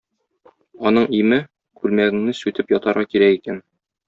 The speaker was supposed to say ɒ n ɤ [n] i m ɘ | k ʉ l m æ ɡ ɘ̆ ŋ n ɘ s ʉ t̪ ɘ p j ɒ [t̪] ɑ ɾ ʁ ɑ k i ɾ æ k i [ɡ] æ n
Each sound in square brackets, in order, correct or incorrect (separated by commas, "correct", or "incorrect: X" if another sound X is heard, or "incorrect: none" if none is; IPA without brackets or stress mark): incorrect: ɴ, correct, incorrect: k